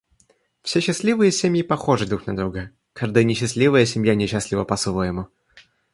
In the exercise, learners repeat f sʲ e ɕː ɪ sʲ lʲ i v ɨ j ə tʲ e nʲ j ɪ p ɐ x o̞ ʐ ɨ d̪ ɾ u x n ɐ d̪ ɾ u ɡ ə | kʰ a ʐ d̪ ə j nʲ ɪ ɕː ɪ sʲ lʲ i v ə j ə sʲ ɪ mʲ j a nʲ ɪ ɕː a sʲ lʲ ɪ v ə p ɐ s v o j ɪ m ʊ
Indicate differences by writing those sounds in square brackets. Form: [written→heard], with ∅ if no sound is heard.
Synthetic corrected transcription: f sʲ e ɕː ɪ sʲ lʲ i v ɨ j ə [tʲ→sʲ] e [nʲ→mʲ] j ɪ p ɐ x o̞ ʐ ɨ d̪ ɾ u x n ɐ d̪ ɾ u ɡ ə | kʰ a ʐ d̪ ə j nʲ ɪ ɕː ɪ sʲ lʲ i v ə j ə sʲ ɪ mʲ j a nʲ ɪ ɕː a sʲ lʲ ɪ v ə p ɐ s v o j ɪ m ʊ

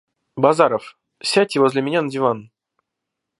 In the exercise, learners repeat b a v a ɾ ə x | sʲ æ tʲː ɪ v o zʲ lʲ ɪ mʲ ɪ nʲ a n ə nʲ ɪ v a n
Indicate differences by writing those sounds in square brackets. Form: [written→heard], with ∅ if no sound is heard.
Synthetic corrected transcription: b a [v→z] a ɾ ə [x→f] | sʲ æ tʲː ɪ v o zʲ lʲ ɪ mʲ ɪ nʲ a n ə [nʲ→dʲ] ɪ v a n

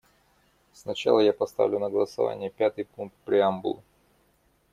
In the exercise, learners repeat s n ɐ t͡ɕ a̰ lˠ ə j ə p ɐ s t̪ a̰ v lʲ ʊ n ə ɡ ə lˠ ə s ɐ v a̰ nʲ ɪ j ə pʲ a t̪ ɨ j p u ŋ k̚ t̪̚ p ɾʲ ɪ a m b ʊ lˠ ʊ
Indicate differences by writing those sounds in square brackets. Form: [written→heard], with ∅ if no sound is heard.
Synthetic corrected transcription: s n ɐ t͡ɕ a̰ lˠ ə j [ə→a] p ɐ s t̪ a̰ v lʲ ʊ n ə ɡ ə lˠ ə s ɐ v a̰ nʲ ɪ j ə pʲ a t̪ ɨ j p u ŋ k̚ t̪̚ p ɾʲ ɪ a m b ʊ lˠ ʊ

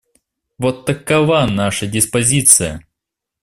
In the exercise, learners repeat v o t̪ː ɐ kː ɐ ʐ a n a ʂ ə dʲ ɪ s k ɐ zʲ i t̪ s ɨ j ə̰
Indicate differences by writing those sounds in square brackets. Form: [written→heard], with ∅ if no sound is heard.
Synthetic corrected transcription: v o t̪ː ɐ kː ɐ [ʐ→v] a n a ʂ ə dʲ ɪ s [k→p] ɐ zʲ i t̪ s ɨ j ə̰

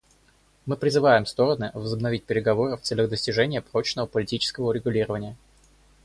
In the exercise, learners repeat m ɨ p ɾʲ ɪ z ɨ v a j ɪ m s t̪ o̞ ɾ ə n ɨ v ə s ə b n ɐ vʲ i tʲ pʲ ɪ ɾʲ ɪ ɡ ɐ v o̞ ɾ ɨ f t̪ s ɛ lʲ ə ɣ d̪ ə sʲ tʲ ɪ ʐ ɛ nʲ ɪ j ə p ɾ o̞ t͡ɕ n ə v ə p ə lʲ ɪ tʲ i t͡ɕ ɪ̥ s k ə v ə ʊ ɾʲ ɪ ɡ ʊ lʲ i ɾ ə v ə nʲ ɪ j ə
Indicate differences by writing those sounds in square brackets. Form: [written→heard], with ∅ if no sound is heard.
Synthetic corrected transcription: m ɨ p ɾʲ ɪ z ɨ v a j ɪ m s t̪ o̞ ɾ ə n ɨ v ə [s→z] ə b n ɐ vʲ i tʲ pʲ ɪ ɾʲ ɪ ɡ ɐ v o̞ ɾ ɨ f t̪ s ɛ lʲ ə ɣ d̪ ə sʲ tʲ ɪ ʐ ɛ nʲ ɪ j ə p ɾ o̞ t͡ɕ n ə v ə p ə lʲ ɪ tʲ i t͡ɕ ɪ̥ s k ə v ə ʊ ɾʲ ɪ ɡ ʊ lʲ i ɾ ə v ə nʲ ɪ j ə

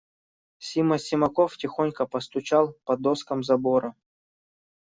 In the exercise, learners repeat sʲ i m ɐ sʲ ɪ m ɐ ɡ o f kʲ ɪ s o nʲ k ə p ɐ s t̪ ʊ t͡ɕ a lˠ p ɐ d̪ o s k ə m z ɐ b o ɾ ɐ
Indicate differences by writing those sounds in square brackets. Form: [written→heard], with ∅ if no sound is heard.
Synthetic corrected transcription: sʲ i m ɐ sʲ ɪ m ɐ [ɡ→k] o f [kʲ→tʲ] ɪ [s→x] o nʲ k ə p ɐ s t̪ ʊ t͡ɕ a lˠ p ɐ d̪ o s k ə m z ɐ b o ɾ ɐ

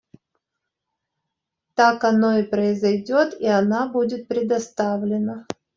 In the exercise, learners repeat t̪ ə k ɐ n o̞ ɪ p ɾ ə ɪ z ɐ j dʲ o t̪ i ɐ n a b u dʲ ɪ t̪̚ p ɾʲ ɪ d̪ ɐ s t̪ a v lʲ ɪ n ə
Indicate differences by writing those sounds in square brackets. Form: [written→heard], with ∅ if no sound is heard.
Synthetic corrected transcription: t̪ [ə→a] k ɐ n o̞ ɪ p ɾ ə ɪ z ɐ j dʲ o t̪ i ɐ n a b u dʲ ɪ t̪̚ p ɾʲ ɪ d̪ ɐ s t̪ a v lʲ ɪ n ə

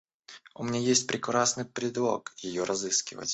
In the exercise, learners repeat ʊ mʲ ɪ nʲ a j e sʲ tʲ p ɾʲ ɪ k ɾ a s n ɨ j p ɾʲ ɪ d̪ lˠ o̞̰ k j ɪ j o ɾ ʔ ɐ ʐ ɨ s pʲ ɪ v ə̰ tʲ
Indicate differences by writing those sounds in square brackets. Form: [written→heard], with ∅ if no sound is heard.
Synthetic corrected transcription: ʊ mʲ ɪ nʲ a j e sʲ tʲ p ɾʲ ɪ k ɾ a s n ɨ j p ɾʲ ɪ d̪ lˠ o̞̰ k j ɪ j o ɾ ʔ ɐ [ʐ→z] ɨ s [pʲ→kʲ] ɪ v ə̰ tʲ

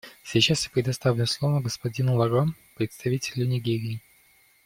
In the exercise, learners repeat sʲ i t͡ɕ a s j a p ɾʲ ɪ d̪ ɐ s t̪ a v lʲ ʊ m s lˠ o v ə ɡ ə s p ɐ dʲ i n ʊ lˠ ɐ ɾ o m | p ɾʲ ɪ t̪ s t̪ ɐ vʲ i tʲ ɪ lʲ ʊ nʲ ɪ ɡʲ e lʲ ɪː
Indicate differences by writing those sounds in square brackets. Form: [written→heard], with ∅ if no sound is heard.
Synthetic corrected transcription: sʲ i t͡ɕ a s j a p ɾʲ ɪ d̪ ɐ s t̪ a v lʲ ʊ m s lˠ o v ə ɡ ə s p ɐ dʲ i n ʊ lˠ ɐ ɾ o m | p ɾʲ ɪ t̪ s t̪ ɐ vʲ i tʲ ɪ lʲ ʊ nʲ ɪ ɡʲ e [lʲ→ɾʲ] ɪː

